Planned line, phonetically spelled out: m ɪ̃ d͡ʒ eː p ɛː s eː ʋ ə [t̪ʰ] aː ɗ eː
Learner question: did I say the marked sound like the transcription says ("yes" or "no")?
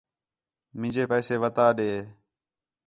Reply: no